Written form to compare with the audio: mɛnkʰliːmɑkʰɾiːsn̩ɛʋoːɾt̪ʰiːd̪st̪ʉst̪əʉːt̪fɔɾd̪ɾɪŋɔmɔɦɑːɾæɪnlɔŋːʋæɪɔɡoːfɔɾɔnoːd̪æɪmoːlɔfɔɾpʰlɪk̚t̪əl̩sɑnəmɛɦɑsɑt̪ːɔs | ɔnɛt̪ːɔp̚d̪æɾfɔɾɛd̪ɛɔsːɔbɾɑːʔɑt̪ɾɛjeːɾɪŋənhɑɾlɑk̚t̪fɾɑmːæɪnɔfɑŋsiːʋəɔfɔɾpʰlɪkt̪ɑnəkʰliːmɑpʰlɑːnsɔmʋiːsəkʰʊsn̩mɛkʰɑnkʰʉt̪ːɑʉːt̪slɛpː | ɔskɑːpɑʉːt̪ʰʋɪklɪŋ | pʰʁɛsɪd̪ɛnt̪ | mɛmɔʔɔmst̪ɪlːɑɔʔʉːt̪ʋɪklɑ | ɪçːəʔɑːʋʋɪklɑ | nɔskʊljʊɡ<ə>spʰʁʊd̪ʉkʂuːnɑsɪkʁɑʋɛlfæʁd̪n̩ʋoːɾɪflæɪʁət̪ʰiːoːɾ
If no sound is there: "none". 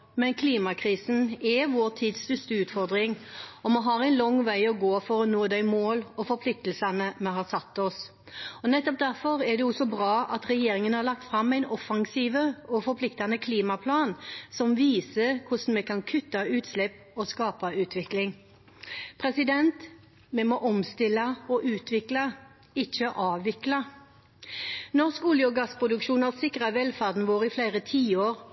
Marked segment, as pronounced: ɑ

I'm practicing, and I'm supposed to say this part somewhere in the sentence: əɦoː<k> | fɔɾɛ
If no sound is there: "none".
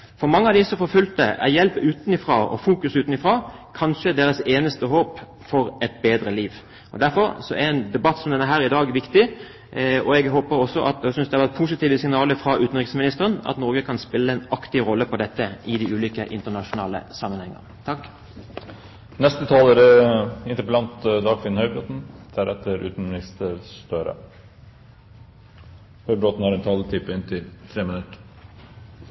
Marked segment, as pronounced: p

